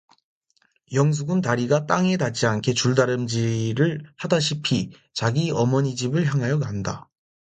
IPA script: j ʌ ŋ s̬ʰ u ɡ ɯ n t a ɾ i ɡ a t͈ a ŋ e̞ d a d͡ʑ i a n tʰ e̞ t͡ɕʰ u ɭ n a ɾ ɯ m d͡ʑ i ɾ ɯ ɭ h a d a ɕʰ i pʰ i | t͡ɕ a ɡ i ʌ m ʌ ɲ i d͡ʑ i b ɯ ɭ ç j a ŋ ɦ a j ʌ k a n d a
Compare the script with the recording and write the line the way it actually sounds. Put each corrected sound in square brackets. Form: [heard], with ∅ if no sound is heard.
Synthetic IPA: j ʌ ŋ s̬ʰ u ɡ ɯ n t a ɾ i ɡ a t͈ a ŋ e̞ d a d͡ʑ i a n [kʰ] e̞ [t͡ɕ] u ɭ [d] a ɾ ɯ m d͡ʑ i ɾ ɯ ɭ h a d a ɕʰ i pʰ i | t͡ɕ a ɡ i ʌ m ʌ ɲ i d͡ʑ i b ɯ ɭ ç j a ŋ ɦ a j ʌ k a n d a